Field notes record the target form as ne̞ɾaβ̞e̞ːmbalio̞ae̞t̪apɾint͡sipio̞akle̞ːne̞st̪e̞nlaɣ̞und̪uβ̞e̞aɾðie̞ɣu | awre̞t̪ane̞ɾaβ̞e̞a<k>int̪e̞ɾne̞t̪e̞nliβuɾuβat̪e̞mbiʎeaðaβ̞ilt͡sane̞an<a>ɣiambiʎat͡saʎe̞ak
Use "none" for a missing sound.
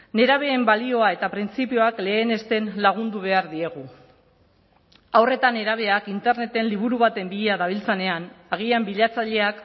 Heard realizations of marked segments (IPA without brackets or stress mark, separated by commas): k, a